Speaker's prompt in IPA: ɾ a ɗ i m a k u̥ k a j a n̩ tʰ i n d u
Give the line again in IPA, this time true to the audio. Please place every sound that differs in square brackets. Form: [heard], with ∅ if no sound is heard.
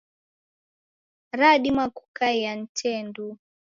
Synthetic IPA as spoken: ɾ a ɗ i m a k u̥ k a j a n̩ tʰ [ɛ] n d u